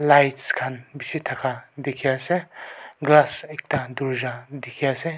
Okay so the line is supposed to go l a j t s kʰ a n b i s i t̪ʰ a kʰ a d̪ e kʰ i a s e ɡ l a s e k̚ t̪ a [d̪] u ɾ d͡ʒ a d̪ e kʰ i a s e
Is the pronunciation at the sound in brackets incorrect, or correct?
correct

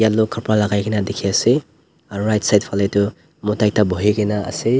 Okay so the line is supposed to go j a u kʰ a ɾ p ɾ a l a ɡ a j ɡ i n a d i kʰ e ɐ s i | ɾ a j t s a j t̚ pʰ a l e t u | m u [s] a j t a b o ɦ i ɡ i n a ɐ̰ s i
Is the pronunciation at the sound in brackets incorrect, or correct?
incorrect: t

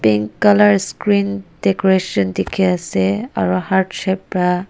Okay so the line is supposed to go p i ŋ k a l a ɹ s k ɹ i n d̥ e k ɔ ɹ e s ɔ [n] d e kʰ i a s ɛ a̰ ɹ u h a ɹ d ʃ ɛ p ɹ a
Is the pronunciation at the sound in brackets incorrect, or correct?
correct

